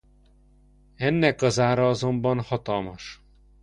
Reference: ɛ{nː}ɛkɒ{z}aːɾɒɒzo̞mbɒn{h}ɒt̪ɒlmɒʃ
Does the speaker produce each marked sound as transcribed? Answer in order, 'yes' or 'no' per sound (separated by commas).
yes, yes, yes